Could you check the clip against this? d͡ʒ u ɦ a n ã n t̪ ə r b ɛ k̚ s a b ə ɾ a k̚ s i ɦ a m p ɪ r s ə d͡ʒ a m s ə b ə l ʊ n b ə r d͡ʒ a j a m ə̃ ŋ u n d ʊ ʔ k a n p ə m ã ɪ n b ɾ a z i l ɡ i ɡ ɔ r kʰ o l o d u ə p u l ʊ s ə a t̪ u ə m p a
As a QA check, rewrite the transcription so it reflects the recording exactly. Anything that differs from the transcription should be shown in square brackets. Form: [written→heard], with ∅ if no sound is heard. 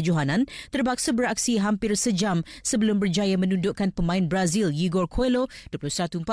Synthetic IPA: d͡ʒ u ɦ a n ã n t̪ ə r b [ɛ→a] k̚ s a b ə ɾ a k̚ s i ɦ a m p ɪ r s ə d͡ʒ a m s ə b ə l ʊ [n→m] b ə r d͡ʒ a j a m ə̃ [ŋ→n] u n d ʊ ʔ k a n p ə m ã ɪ n b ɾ a z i l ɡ i ɡ ɔ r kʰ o l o d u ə p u l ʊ s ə a t̪ u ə m p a